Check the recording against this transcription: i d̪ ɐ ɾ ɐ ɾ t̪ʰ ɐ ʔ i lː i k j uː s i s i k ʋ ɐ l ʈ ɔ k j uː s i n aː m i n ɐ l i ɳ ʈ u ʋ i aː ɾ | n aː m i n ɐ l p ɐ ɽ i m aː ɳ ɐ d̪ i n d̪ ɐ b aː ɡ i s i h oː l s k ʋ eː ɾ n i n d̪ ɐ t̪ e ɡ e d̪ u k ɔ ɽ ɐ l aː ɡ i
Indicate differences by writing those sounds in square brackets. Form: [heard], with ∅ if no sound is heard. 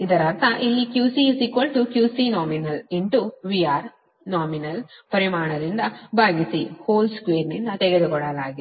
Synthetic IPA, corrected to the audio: i d̪ ɐ ɾ ɐ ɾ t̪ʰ ɐ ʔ i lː i k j uː s i s i k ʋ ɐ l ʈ [u] k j uː s i n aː m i n ɐ l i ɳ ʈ u ʋ i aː ɾ | n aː m i n ɐ l p ɐ [ɾ] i m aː ɳ ɐ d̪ i n d̪ ɐ b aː ɡ i s i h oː l s k ʋ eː ɾ n i n d̪ ɐ t̪ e ɡ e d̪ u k ɔ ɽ ɐ l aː ɡ i